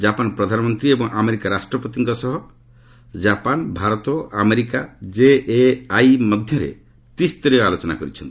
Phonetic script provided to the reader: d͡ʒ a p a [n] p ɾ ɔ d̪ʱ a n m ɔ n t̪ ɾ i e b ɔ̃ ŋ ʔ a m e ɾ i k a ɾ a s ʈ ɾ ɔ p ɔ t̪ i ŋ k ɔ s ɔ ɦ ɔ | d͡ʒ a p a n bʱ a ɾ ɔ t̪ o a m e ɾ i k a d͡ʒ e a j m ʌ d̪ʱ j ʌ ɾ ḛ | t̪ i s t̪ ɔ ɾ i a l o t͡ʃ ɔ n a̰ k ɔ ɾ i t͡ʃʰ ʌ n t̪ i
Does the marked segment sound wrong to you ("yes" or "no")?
no